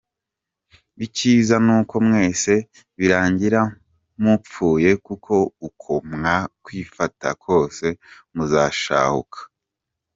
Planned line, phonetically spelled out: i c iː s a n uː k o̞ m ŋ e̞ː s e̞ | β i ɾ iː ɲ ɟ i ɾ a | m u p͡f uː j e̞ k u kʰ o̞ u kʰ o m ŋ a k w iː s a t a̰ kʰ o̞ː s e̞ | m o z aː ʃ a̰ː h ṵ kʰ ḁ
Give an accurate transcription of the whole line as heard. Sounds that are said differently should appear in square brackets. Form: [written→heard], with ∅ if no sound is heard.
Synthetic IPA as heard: i c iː [s→z] a n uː k o̞ m ŋ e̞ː s e̞ | β i ɾ [iː→aː] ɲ ɟ i ɾ a | m u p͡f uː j e̞ k u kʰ o̞ u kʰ o m ŋ a k w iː [s→f] a t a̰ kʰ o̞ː s e̞ | m [o→u] z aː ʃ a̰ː h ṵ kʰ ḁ